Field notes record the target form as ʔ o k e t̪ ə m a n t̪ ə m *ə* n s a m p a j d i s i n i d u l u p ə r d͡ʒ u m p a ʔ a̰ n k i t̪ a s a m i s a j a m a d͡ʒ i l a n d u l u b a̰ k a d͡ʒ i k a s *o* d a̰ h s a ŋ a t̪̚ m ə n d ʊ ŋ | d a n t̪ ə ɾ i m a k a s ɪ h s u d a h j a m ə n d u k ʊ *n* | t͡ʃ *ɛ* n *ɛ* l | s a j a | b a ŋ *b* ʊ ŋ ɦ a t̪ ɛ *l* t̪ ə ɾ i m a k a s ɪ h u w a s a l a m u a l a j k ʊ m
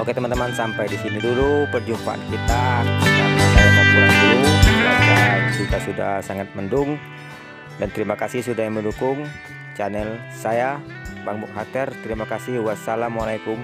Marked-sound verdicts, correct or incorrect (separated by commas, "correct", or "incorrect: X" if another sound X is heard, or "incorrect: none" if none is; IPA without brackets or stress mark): incorrect: a, incorrect: u, incorrect: ŋ, incorrect: a, correct, correct, incorrect: r